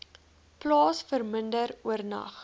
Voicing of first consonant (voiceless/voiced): voiceless